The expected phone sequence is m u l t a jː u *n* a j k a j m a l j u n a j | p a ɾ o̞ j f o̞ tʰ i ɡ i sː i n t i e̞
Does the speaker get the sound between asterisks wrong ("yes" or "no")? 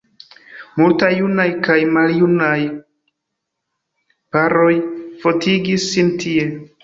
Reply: no